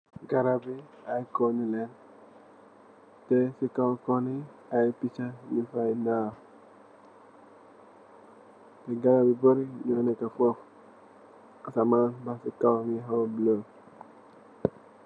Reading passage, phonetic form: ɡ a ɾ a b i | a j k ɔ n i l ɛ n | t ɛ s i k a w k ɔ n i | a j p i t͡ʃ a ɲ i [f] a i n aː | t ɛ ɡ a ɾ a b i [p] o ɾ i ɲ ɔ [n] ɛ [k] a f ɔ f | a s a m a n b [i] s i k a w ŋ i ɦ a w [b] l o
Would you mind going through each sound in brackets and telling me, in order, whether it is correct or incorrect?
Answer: correct, incorrect: b, correct, correct, incorrect: a, correct

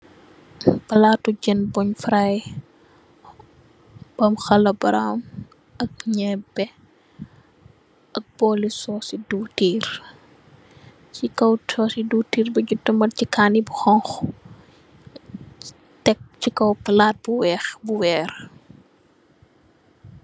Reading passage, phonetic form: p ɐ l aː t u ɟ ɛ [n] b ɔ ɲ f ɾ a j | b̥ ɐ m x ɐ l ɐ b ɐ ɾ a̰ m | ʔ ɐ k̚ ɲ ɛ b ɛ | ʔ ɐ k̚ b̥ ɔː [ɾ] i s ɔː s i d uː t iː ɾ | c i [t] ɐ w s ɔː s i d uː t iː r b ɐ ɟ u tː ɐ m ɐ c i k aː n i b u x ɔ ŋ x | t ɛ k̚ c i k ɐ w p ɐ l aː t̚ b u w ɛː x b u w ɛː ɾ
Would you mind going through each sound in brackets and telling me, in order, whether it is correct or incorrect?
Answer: correct, incorrect: l, incorrect: k

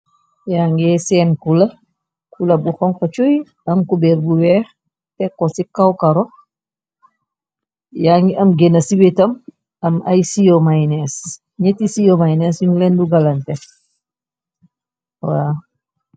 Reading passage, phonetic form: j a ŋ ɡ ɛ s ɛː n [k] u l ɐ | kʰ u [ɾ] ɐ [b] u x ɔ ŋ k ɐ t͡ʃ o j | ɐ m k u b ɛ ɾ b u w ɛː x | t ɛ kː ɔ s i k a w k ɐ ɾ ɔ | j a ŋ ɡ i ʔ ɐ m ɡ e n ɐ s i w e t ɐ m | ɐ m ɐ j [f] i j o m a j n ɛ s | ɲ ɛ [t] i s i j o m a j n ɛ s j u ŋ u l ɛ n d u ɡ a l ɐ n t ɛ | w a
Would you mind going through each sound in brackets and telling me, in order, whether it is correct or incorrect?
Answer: correct, incorrect: l, correct, incorrect: s, correct

